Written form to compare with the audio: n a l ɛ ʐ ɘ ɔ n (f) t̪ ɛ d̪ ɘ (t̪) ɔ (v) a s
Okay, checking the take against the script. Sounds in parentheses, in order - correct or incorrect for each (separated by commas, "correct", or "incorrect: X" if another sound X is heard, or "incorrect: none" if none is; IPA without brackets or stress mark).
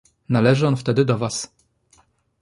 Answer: correct, incorrect: d̪, correct